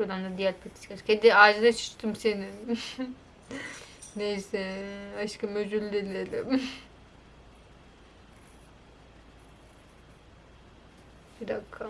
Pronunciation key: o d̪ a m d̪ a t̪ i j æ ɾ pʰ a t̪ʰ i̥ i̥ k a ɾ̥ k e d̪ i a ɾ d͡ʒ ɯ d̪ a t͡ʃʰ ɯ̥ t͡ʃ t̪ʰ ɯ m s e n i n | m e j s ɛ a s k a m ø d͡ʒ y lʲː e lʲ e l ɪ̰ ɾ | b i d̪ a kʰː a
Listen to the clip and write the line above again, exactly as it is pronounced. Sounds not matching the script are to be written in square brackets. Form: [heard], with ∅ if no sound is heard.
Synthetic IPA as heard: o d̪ a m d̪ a [d̪] i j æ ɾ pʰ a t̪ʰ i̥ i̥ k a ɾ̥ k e d̪ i a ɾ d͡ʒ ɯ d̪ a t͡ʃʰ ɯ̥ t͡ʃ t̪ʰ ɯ m s e n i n | [n] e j s ɛ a [ʃ] k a m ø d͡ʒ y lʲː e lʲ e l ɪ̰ [∅] | b i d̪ a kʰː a